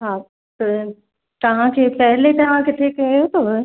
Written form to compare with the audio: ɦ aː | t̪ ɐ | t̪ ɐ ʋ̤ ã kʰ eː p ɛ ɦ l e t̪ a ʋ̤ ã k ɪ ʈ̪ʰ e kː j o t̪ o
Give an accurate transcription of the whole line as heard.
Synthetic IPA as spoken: ɦ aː | t̪ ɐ | t̪ ɐ ʋ̤ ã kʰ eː p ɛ ɦ l e t̪ ɐ ʋ̤ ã k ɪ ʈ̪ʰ e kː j o t̪ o